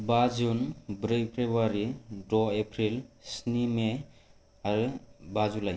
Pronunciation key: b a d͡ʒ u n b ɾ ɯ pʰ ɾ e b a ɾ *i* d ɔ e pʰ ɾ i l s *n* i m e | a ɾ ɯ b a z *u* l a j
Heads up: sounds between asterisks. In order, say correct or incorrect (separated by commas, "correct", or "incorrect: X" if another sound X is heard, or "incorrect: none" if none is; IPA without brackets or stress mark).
correct, correct, correct